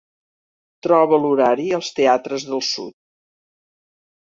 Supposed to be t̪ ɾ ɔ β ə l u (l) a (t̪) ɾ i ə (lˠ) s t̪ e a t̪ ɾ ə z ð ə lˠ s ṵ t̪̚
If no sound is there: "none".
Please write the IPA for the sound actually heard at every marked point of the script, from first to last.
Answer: ɾ, none, lˠ

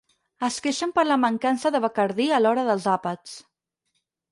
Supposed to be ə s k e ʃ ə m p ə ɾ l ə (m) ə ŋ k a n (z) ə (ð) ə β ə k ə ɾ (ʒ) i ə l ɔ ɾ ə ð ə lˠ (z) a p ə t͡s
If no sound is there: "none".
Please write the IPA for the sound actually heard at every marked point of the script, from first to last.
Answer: m, s, ð, ð, z

